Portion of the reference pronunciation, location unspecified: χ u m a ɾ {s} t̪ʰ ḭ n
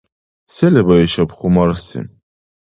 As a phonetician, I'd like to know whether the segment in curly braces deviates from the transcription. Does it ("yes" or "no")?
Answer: no